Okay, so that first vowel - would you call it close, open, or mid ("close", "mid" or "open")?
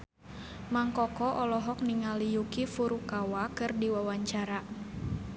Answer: open